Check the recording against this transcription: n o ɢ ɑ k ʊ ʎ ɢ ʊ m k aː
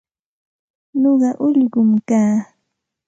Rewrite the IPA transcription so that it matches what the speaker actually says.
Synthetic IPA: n o ɢ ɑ ʔ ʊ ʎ ɢ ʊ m k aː